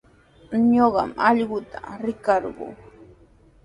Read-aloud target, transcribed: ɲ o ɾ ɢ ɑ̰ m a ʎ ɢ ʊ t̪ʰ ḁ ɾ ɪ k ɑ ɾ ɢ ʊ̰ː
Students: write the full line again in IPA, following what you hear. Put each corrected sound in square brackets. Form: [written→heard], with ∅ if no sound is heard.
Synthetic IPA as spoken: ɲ o [ɾ→∅] ɢ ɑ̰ m [a→ɑ] ʎ ɢ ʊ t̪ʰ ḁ ɾ ɪ k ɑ ɾ ɢ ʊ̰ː